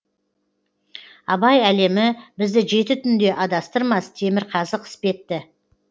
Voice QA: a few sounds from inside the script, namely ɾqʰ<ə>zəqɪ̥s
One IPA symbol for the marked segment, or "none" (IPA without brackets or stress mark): ɑ